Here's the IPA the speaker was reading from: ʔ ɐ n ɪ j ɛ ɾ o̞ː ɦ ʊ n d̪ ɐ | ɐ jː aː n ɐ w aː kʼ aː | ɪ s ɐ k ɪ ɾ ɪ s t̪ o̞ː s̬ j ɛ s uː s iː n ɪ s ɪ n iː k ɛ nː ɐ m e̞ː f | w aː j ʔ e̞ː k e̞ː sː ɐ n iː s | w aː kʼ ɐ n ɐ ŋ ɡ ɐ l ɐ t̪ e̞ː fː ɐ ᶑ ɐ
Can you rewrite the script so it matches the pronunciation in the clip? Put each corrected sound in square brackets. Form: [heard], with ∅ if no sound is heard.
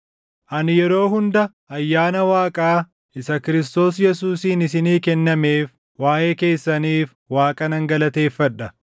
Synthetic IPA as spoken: ʔ ɐ n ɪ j ɛ ɾ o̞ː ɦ ʊ n d̪ ɐ | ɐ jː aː n ɐ w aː kʼ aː | ɪ s ɐ k ɪ ɾ ɪ s t̪ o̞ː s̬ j ɛ s uː s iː n ɪ s ɪ n iː k ɛ nː ɐ m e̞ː f | w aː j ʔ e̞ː k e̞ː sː ɐ n iː [f] | w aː kʼ ɐ n ɐ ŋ ɡ ɐ l ɐ t̪ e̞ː fː ɐ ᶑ ɐ